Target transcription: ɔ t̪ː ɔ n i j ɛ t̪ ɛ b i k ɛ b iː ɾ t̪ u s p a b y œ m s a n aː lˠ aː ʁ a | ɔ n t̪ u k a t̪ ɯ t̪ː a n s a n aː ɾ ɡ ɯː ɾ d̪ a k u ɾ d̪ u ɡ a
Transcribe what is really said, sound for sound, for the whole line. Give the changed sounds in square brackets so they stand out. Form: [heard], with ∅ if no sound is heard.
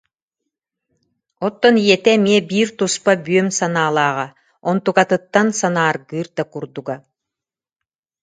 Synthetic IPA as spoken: ɔ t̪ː ɔ n i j ɛ t̪ ɛ [m] i [∅] ɛ b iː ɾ t̪ u s p a b y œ m s a n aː lˠ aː ʁ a | ɔ n t̪ u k a t̪ ɯ t̪ː a n s a n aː ɾ ɡ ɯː ɾ d̪ a k u ɾ d̪ u ɡ a